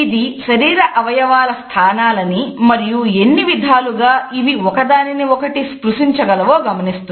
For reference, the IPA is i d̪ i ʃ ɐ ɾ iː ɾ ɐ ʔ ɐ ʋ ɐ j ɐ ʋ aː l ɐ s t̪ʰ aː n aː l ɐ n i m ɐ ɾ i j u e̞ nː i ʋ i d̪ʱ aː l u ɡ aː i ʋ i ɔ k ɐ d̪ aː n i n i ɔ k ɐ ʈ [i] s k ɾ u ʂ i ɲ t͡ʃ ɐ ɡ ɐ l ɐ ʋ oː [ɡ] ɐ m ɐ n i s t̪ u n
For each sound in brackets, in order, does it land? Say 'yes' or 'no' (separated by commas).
yes, yes